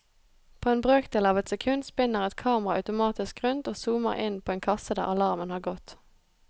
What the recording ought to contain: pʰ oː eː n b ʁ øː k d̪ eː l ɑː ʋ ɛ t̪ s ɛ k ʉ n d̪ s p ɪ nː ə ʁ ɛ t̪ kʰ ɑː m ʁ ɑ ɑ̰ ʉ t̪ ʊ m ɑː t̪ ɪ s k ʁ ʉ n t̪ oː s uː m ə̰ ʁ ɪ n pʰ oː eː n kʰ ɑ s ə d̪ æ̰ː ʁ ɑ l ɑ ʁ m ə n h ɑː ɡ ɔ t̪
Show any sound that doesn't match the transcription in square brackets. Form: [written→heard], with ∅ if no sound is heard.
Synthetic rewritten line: pʰ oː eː n b ʁ øː k d̪ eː l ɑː ʋ ɛ t̪ s ɛ [k→kʰ] ʉ n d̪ s p ɪ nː ə ʁ ɛ t̪ kʰ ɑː m ʁ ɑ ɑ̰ ʉ t̪ ʊ m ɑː t̪ ɪ s k ʁ ʉ n t̪ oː s uː m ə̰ ʁ ɪ n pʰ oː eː n kʰ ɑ s ə d̪ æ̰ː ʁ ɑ l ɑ ʁ m ə n h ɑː ɡ ɔ t̪